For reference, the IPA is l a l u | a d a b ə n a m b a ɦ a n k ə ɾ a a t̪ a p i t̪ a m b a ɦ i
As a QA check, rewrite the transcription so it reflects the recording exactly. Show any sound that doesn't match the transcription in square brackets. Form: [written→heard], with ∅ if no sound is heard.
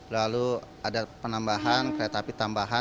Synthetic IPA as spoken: l a l u | a d a [b→p] ə n a m b a ɦ a n k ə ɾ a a t̪ a p i t̪ a m b a ɦ [i→a]